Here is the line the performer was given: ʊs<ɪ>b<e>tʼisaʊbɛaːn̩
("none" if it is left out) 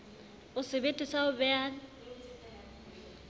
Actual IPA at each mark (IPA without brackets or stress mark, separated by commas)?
ɪ, e